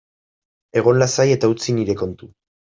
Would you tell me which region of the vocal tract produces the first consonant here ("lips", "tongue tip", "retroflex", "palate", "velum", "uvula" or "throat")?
velum